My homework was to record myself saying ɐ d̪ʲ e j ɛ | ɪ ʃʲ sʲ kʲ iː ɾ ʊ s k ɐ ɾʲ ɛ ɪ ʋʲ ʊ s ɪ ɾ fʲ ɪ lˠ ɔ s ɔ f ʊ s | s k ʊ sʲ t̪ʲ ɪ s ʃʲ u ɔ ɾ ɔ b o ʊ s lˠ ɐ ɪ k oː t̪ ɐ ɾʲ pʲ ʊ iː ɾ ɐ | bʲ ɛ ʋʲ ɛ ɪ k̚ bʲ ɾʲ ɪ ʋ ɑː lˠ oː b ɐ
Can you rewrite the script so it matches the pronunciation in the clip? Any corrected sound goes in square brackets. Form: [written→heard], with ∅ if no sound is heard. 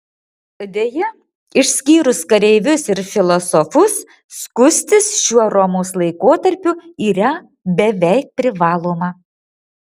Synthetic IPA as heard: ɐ d̪ʲ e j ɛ | ɪ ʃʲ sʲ kʲ iː ɾ ʊ s k ɐ ɾʲ ɛ ɪ ʋʲ ʊ s ɪ ɾ fʲ ɪ lˠ ɔ s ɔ f ʊ s | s k ʊ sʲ t̪ʲ ɪ s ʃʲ u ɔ ɾ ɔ [b→m] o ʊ s lˠ ɐ ɪ k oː t̪ ɐ ɾʲ pʲ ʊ iː ɾ ɐ | bʲ ɛ ʋʲ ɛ ɪ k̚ [bʲ→pʲ] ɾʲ ɪ ʋ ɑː lˠ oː [b→m] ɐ